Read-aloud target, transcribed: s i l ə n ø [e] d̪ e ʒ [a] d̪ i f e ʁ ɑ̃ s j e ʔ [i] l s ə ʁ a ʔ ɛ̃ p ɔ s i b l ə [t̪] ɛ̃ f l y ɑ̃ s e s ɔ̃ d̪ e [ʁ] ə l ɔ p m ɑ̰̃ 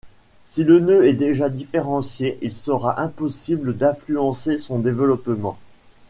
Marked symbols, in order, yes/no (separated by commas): no, yes, yes, no, no